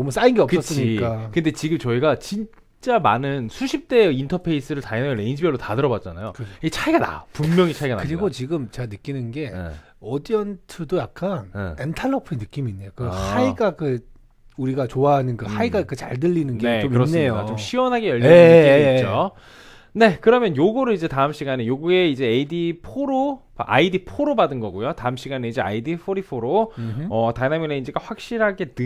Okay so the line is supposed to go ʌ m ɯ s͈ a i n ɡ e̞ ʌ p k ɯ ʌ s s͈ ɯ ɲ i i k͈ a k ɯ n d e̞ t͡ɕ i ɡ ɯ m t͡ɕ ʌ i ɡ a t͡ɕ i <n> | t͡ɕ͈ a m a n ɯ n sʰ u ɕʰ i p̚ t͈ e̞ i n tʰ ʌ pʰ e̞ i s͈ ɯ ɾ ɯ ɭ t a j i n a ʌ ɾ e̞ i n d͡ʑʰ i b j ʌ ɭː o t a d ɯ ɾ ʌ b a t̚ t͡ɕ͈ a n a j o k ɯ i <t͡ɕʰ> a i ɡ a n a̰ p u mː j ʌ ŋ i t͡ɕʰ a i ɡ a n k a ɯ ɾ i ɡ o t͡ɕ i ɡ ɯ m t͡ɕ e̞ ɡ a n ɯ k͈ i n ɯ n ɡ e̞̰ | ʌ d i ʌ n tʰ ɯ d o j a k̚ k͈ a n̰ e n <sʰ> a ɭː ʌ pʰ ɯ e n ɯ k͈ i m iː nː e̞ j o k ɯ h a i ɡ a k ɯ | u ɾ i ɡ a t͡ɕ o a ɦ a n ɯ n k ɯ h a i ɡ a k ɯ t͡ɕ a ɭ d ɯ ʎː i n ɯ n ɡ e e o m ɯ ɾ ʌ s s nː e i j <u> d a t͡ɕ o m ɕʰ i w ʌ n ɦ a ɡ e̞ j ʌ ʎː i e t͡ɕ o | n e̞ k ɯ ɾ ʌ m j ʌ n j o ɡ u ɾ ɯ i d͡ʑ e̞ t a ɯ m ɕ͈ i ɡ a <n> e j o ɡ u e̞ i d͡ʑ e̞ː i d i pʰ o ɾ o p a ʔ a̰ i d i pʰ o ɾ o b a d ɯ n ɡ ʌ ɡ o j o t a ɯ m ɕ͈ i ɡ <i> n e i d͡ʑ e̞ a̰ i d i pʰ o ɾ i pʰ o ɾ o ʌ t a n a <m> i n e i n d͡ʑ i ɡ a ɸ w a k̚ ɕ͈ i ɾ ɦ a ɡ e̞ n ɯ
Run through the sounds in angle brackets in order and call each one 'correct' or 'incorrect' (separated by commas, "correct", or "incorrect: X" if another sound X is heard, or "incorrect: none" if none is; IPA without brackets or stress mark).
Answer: correct, correct, incorrect: tʰ, incorrect: o, correct, incorrect: a, correct